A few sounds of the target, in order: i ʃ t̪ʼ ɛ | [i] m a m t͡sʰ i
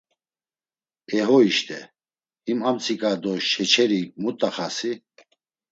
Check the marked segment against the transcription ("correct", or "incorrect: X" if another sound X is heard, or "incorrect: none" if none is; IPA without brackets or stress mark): correct